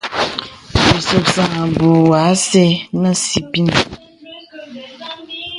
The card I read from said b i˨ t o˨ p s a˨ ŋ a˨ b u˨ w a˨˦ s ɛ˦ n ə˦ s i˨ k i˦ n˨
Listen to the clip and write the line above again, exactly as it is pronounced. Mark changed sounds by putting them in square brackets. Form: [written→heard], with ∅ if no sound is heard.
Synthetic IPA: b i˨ [t→s] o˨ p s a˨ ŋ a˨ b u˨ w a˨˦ s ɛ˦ n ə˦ s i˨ [k→p] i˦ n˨

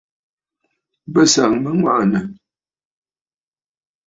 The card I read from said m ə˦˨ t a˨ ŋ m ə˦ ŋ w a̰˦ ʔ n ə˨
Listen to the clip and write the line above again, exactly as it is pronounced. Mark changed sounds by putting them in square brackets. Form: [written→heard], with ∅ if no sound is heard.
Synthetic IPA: [m→b] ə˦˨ [t→s] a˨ ŋ m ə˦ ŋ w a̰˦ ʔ n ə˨

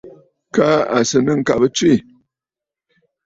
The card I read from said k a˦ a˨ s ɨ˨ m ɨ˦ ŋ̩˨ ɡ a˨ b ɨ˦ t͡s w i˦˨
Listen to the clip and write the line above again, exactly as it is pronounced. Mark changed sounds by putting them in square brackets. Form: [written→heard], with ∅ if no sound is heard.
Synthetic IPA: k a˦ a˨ s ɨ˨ [m→n] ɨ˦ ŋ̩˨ [ɡ→k] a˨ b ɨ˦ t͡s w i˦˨

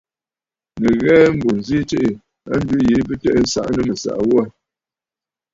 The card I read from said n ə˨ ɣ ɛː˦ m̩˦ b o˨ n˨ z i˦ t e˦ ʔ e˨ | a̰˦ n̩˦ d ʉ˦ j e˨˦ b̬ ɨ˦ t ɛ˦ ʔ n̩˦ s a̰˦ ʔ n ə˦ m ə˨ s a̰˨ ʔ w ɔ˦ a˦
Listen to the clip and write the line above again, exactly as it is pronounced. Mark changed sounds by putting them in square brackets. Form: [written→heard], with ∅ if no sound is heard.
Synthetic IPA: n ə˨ ɣ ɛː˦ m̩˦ b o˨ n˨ z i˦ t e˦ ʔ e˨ | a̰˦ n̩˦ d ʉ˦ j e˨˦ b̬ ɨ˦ t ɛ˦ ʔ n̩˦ s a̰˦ ʔ n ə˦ m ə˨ s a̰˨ ʔ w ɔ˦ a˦

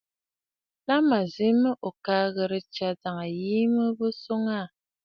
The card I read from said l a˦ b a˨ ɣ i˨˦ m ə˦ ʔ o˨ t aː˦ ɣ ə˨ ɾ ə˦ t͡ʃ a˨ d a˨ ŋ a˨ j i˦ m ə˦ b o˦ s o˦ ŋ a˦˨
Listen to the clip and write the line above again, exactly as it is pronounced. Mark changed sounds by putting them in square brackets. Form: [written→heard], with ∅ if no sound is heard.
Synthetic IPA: l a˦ [b→m] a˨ [ɣ→z] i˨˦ m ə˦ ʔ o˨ [t→k] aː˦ ɣ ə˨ ɾ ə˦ t͡ʃ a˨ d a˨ ŋ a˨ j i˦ m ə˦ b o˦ s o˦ ŋ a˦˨

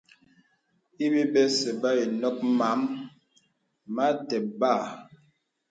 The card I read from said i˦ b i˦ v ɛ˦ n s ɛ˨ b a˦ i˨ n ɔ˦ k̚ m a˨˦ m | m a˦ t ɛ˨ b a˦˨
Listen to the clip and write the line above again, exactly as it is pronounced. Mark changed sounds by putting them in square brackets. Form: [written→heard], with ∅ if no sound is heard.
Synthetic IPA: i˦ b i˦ [v→b] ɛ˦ [n→∅] s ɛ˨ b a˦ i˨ n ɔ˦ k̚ m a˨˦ m | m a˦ t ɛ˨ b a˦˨

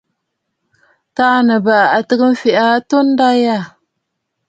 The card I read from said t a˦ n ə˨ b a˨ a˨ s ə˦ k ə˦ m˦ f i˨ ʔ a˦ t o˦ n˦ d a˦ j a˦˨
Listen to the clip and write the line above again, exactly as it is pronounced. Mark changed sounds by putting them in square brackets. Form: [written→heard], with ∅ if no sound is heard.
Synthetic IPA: t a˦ n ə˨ b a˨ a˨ [s→t] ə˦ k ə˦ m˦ f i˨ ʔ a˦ t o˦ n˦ d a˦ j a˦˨

